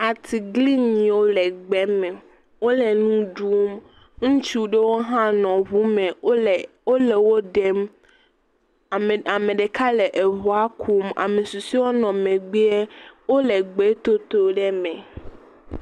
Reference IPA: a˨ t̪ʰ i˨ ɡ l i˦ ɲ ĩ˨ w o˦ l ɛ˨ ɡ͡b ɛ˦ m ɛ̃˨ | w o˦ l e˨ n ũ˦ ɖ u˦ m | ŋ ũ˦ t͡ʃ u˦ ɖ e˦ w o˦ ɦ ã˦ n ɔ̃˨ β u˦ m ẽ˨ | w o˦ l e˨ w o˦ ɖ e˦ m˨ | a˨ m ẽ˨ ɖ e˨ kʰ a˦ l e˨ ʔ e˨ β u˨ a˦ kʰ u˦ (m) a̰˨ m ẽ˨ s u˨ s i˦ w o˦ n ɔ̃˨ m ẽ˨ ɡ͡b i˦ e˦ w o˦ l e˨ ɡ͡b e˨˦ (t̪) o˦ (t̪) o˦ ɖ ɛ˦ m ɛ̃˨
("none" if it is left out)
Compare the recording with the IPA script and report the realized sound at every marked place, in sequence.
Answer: m, t̪, t̪

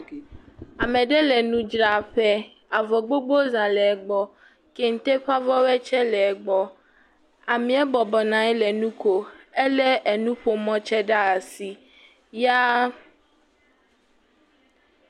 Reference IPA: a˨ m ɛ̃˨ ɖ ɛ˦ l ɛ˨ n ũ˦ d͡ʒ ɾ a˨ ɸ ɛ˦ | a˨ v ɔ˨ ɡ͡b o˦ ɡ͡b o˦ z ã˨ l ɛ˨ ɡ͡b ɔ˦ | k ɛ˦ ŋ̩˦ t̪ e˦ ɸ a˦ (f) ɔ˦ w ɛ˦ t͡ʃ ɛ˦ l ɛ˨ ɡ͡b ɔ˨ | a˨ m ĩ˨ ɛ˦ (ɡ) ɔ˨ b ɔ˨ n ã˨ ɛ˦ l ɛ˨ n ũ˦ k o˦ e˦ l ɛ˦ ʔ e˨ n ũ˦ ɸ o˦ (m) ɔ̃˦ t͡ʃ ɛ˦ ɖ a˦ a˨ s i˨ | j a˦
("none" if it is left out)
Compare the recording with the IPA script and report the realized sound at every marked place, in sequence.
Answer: v, b, m

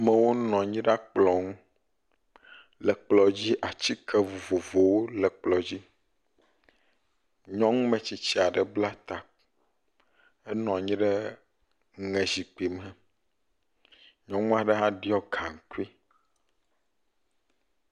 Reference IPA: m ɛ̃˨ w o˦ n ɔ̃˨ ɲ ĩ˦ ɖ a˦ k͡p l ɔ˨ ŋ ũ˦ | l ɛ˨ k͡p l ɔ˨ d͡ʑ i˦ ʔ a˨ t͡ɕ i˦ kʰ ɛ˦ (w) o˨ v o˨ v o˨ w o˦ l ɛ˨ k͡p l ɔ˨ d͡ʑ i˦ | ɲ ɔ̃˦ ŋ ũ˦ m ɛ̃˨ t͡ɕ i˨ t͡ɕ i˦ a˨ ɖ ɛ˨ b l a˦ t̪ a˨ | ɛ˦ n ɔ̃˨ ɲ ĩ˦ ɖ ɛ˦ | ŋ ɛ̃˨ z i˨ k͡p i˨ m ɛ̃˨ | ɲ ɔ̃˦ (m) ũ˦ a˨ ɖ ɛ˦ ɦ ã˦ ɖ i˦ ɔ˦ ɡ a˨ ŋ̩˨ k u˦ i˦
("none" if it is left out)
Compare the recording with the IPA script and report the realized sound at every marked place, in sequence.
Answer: v, ŋ

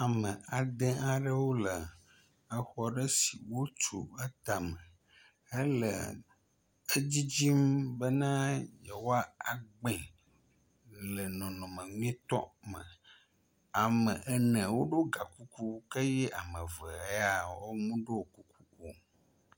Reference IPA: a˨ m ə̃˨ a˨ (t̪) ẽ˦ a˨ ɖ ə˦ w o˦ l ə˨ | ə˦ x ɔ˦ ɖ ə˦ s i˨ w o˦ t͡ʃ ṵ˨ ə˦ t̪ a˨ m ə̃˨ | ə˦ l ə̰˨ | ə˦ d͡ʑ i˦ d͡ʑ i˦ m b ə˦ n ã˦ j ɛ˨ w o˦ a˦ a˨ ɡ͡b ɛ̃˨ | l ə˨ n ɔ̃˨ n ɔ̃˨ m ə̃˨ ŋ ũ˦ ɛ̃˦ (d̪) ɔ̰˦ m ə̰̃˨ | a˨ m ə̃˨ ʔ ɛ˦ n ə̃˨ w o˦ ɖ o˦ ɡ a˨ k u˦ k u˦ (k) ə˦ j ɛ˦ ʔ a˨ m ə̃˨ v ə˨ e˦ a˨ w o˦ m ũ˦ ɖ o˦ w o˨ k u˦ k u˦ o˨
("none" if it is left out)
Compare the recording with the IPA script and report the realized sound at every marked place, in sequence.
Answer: d̪, t̪, k

